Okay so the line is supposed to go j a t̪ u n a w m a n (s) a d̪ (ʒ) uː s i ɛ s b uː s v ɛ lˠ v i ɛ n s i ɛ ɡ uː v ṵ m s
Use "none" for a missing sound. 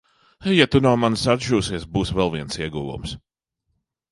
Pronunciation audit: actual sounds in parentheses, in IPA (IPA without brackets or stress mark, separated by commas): s, ʒ